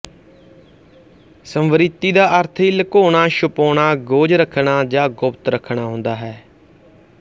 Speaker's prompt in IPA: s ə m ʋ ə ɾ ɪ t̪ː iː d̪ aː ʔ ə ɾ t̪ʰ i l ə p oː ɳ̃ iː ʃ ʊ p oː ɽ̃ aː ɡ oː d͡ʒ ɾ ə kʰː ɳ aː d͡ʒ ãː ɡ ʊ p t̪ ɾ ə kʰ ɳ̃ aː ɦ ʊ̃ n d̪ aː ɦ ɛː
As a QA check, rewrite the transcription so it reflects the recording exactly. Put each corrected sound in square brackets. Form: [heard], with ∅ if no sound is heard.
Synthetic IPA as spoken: s ə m ʋ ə ɾ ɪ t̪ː iː d̪ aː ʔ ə ɾ t̪ʰ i l ə [k] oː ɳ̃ [aː] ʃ ʊ p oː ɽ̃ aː ɡ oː d͡ʒ ɾ ə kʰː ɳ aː d͡ʒ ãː ɡ ʊ p t̪ ɾ ə kʰ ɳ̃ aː ɦ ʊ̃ n d̪ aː ɦ ɛː